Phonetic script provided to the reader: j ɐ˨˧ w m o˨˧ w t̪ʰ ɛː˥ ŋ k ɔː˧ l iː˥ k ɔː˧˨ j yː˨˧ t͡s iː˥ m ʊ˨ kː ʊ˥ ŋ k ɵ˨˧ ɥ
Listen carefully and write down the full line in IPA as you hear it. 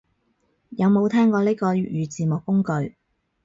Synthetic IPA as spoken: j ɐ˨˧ w m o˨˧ w t̪ʰ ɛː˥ ŋ k ɔː˧ l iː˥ k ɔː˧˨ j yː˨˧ t͡s iː˨ m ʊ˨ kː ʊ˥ ŋ k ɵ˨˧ ɥ